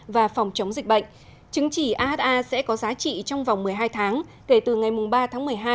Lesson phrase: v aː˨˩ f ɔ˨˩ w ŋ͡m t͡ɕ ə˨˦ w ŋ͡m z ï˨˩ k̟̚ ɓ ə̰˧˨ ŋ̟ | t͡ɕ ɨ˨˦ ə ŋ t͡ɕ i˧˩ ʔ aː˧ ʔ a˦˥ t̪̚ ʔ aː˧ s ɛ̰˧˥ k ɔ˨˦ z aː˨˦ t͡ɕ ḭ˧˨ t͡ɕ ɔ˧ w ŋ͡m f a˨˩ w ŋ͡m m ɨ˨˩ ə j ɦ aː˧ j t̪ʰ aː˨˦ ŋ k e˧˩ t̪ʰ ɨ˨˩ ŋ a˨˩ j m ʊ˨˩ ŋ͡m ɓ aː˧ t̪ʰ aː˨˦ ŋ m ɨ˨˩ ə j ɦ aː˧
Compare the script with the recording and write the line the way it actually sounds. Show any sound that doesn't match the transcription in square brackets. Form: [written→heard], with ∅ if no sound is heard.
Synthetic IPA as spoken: v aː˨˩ f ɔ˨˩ w ŋ͡m t͡ɕ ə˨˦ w ŋ͡m z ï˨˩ k̟̚ ɓ ə̰˧˨ ŋ̟ | t͡ɕ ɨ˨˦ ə ŋ t͡ɕ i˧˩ ʔ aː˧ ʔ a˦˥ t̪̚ ʔ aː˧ s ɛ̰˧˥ k ɔ˨˦ z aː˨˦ t͡ɕ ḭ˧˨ t͡ɕ ɔ˧ w ŋ͡m [f→v] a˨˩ w ŋ͡m m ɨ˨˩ ə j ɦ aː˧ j t̪ʰ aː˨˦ ŋ k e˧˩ [t̪ʰ→t̪] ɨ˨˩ ŋ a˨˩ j m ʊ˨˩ ŋ͡m ɓ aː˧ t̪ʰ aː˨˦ ŋ m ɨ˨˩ ə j ɦ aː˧

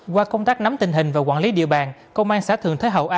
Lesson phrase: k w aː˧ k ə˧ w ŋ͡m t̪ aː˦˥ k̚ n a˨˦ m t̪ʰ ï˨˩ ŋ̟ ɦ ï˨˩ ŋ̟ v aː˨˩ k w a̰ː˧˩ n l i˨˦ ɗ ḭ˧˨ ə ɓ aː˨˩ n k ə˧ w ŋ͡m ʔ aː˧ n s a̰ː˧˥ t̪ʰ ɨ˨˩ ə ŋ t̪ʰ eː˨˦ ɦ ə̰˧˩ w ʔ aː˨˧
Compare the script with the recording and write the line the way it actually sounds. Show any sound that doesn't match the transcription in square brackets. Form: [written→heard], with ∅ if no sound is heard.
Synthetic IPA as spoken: k w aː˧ k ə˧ w ŋ͡m t̪ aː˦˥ k̚ n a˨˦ m [t̪ʰ→t̪] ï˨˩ ŋ̟ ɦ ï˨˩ ŋ̟ v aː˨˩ k w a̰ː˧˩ n l i˨˦ ɗ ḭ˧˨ ə ɓ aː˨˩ n k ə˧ w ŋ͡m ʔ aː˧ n s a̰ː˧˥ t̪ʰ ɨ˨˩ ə ŋ t̪ʰ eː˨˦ ɦ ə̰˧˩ w ʔ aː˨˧

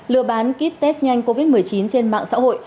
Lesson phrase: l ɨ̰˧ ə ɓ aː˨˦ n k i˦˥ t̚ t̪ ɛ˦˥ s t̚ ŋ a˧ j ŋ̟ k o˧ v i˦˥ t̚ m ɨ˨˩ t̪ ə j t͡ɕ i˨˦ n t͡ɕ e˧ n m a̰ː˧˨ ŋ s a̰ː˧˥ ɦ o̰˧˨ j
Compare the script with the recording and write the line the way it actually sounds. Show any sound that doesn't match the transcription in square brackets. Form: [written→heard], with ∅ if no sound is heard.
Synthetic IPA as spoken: l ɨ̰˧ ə ɓ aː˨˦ n k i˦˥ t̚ t̪ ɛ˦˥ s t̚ [ŋ→ɲ] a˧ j ŋ̟ k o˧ v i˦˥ t̚ m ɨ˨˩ [t̪→∅] ə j t͡ɕ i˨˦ n t͡ɕ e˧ n m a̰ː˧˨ ŋ s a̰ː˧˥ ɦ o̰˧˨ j

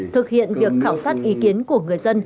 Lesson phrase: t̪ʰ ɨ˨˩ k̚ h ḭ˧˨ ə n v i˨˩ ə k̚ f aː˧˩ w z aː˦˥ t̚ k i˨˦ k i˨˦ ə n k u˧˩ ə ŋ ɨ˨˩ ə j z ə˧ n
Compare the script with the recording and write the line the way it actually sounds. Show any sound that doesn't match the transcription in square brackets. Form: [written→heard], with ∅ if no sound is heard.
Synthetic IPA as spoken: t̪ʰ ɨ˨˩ k̚ h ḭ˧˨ ə n v i˨˩ ə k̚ [f→x] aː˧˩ w [z→s] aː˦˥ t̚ [k→ʔ] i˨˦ k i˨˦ ə n k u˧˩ ə ŋ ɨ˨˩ ə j z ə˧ n

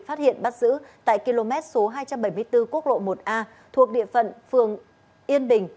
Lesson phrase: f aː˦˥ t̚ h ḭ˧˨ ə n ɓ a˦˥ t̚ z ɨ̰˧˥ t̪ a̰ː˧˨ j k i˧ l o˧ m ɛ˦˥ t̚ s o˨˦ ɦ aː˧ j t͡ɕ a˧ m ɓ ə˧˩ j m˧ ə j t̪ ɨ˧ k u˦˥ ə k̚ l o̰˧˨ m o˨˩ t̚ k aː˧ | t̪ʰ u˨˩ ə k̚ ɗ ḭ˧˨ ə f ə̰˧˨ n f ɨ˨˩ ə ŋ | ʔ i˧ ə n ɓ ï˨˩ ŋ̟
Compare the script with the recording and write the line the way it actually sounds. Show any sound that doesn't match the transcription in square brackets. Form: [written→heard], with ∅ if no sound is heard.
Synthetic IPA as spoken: f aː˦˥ t̚ h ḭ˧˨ ə n ɓ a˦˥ t̚ z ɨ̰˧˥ t̪ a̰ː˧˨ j k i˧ l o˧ m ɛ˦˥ t̚ s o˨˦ ɦ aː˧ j t͡ɕ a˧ m ɓ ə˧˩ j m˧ ə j t̪ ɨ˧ k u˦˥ ə k̚ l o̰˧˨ m o˨˩ t̚ [k→ʔ] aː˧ | t̪ʰ u˨˩ ə k̚ ɗ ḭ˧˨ ə f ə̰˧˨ n f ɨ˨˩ ə ŋ | ʔ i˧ ə n ɓ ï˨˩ ŋ̟

